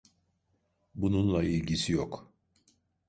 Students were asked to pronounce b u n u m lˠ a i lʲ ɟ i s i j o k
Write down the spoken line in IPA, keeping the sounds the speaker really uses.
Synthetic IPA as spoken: b u n u n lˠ a i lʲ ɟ i s i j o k